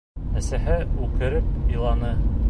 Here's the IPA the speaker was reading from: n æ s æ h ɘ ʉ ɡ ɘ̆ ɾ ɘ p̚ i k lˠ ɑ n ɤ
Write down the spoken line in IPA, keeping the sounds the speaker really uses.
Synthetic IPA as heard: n æ s æ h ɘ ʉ k ɘ̆ ɾ ɘ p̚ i lˠ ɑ n ɤ